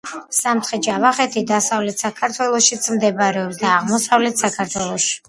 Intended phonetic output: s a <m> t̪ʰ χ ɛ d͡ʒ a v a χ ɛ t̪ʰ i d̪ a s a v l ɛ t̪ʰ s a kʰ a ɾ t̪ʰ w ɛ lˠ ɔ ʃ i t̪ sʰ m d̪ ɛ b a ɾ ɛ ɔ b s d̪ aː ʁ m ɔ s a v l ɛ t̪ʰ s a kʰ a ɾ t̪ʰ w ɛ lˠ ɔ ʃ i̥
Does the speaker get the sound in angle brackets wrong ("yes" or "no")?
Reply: no